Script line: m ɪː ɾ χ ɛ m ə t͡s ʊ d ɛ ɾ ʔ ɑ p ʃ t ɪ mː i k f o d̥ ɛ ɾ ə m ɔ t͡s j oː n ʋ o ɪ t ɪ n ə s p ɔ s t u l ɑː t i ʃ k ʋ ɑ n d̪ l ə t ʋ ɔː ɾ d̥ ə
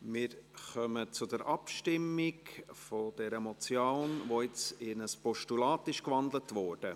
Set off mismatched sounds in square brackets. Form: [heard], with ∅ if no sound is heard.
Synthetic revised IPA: m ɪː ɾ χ [œ] m ə t͡s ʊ d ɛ ɾ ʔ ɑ p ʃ t ɪ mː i k f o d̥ ɛ ɾ ə m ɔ t͡s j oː n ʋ o ɪ [t͡s] ɪ n ə s p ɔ [ʃ] t u l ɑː t [ɪ] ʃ k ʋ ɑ n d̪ l ə t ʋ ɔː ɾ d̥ ə